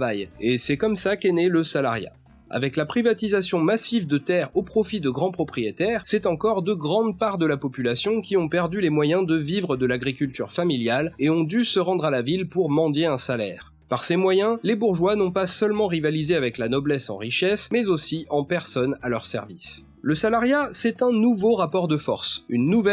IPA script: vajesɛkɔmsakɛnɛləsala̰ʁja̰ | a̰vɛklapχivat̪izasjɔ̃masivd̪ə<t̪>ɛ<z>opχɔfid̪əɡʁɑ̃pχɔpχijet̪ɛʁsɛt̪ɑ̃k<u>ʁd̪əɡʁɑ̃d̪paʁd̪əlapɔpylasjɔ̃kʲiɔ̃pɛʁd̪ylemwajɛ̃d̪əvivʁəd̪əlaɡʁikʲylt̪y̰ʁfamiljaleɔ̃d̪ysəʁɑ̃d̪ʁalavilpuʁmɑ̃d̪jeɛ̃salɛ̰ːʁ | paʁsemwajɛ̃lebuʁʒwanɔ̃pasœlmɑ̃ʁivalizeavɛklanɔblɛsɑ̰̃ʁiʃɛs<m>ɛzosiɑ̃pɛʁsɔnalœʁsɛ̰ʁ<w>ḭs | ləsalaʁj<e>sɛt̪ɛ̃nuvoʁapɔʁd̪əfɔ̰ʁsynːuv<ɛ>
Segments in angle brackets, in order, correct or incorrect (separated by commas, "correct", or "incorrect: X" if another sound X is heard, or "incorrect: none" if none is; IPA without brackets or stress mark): correct, incorrect: ʁ, incorrect: ɔ, correct, incorrect: v, incorrect: a, correct